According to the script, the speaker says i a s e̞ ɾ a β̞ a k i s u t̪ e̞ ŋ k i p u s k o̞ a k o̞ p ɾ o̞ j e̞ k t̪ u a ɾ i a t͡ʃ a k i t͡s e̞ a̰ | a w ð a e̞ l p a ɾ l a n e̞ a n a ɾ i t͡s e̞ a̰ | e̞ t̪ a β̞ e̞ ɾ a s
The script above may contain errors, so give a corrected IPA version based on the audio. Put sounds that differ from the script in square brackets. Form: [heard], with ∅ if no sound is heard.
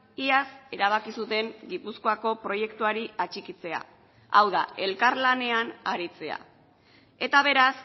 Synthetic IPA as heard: i a s e̞ ɾ a β̞ a k i s u t̪ e̞ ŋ [ɡ] i p u s k o̞ a k o̞ p ɾ o̞ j e̞ k t̪ u a ɾ i a t͡ʃ [i] k i t͡s e̞ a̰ | a w ð a e̞ l [k] a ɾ l a n e̞ a n a ɾ i t͡s e̞ a̰ | e̞ t̪ a β̞ e̞ ɾ a s